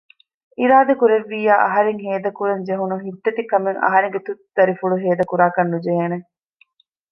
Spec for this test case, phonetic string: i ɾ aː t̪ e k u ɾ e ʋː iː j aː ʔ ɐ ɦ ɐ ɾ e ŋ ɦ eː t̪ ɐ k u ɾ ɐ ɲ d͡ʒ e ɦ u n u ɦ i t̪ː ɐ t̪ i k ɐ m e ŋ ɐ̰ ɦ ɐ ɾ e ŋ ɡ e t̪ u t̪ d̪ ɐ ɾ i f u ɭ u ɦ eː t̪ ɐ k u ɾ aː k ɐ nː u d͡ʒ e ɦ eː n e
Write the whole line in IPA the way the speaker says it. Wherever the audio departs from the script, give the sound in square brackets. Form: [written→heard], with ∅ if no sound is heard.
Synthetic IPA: i ɾ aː [t̪→d̪] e k u ɾ e ʋː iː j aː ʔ ɐ ɦ ɐ ɾ e ŋ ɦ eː [t̪→d̪] ɐ k u ɾ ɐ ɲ d͡ʒ e ɦ u n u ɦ i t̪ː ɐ t̪ i k ɐ m e ŋ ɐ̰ ɦ ɐ ɾ e ŋ ɡ e t̪ u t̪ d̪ ɐ ɾ i f u ɭ u ɦ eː [t̪→d̪] ɐ k u ɾ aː k ɐ nː u d͡ʒ e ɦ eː n e